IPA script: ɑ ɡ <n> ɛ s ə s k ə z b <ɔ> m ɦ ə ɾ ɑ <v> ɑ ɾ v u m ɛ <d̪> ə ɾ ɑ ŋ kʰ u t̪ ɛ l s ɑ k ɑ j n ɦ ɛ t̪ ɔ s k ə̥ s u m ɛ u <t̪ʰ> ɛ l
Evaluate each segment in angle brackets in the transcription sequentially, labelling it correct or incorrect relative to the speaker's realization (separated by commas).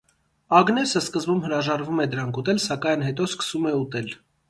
correct, incorrect, incorrect, correct, incorrect